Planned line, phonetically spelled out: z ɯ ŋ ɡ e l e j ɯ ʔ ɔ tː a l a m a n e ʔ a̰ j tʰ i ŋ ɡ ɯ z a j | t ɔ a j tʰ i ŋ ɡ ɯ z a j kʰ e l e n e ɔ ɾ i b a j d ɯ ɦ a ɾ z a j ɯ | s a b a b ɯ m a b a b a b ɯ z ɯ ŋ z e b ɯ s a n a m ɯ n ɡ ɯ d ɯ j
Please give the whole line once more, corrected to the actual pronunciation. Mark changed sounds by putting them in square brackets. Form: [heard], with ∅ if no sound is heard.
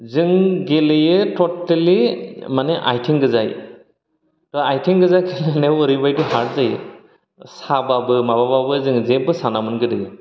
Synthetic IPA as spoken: z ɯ ŋ ɡ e l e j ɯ [t] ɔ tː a l [i] m a n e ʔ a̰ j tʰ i ŋ ɡ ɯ z a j | t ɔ a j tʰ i ŋ ɡ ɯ z a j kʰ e l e n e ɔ ɾ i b a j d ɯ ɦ a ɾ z a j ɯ | s a b a b ɯ m a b a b a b ɯ z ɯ ŋ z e b ɯ s a n a m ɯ n ɡ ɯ d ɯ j